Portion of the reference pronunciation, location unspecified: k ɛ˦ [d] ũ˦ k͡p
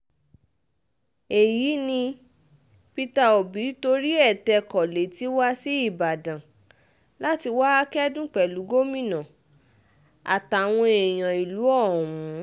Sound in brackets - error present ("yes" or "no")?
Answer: no